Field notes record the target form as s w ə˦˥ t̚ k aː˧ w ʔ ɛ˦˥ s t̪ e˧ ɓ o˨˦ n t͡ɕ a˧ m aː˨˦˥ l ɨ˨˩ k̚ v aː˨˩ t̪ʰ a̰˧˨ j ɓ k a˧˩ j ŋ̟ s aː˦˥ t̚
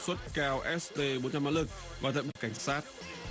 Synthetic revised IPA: s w ə˦˥ t̚ k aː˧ w ʔ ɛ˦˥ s t̪ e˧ ɓ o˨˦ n t͡ɕ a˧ m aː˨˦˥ l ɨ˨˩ k̚ v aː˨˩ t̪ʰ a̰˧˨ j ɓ k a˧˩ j ŋ̟ s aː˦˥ t̚